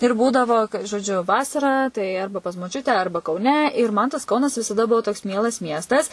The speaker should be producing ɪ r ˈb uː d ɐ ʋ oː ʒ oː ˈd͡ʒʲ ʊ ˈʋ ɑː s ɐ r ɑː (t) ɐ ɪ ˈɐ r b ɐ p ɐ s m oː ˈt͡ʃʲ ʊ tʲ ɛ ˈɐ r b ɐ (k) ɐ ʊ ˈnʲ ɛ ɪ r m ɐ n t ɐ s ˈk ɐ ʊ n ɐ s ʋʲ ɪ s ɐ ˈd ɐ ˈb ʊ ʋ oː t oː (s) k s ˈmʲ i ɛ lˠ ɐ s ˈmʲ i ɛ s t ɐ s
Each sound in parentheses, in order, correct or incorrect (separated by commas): correct, correct, incorrect